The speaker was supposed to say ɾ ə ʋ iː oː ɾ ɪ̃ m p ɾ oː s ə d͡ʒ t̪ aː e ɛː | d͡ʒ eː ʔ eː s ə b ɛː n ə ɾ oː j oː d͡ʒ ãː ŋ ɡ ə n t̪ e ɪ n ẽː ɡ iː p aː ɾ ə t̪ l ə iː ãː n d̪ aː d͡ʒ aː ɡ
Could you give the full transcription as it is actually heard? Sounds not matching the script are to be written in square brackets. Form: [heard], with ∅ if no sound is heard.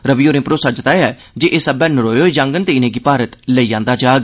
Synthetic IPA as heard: ɾ ə ʋ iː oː ɾ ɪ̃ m p ɾ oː s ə d͡ʒ t̪ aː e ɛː | d͡ʒ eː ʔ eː s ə b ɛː n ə ɾ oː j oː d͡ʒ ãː ŋ ɡ ə n t̪ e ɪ n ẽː ɡ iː p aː ɾ ə t̪ l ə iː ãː n d̪ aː d͡ʒ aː ɡ